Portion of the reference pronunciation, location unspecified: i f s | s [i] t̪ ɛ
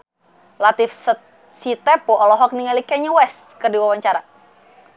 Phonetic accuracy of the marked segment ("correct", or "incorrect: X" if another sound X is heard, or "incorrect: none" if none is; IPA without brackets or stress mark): correct